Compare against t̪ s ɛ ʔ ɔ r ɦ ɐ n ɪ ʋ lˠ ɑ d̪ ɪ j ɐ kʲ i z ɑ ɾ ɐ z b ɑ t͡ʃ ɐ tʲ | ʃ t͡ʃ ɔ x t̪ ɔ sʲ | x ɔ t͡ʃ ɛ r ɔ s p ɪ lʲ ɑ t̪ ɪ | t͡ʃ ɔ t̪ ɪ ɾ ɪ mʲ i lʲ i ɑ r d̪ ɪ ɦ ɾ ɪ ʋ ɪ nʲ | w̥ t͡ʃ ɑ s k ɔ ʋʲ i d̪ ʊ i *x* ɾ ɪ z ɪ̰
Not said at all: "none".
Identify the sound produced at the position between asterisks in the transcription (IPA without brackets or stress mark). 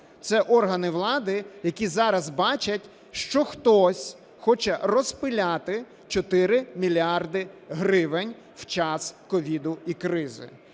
k